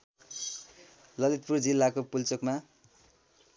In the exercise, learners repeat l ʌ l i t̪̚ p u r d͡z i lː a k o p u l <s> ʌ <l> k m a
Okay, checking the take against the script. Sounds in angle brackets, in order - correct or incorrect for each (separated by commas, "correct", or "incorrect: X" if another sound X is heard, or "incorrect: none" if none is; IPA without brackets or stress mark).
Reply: incorrect: t͡s, incorrect: none